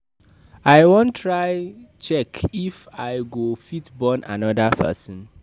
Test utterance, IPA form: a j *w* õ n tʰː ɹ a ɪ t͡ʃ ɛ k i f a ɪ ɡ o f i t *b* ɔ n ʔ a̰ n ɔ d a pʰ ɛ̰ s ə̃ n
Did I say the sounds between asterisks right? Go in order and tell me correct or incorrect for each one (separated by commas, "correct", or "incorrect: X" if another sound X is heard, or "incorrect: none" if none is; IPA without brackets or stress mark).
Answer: correct, correct